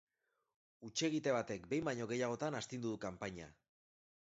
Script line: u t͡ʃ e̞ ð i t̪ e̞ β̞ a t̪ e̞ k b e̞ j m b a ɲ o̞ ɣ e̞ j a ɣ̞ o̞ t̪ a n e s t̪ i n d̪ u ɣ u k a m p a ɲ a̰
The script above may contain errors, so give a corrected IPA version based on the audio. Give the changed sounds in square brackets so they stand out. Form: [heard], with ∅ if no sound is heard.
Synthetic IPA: u t͡ʃ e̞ [ɣ] i t̪ e̞ β̞ a t̪ e̞ k b e̞ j m b a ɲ o̞ ɣ e̞ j a ɣ̞ o̞ t̪ a n [a] s t̪ i n d̪ u [ð] u k a m p a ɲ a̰